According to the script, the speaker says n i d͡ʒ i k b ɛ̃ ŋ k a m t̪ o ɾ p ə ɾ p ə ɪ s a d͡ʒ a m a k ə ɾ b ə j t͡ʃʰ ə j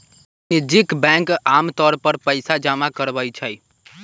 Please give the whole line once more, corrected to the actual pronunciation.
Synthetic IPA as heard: n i d͡ʒ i k b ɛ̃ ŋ k a m t̪ ɔ ɾ p ə ɾ p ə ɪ s a d͡ʒ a m a k ə ɾ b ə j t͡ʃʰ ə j

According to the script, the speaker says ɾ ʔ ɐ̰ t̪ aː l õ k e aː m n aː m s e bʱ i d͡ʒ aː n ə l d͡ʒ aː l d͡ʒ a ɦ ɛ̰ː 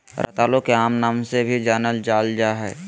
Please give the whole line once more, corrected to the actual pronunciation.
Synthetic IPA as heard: ɾ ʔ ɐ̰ t̪ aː l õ k e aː m n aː m s e bʱ i d͡ʒ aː n ə l d͡ʒ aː l d͡ʒ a ɦ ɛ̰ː

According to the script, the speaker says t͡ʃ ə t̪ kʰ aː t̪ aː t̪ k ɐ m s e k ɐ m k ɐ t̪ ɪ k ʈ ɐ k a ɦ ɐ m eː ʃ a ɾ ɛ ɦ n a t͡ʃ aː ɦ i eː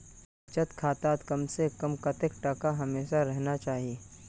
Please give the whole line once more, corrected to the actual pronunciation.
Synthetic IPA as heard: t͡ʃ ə t̪ kʰ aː t̪ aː t̪ k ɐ m s e k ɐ m k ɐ t̪ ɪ k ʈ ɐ k a ɦ ɐ m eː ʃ a ɾ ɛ ɦ n a t͡ʃ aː ɦ i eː

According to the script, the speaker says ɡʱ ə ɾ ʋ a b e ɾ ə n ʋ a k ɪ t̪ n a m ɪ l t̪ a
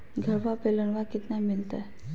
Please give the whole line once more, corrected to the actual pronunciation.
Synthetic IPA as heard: ɡʱ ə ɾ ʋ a p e l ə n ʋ a k ɪ t̪ n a m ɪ l t̪ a

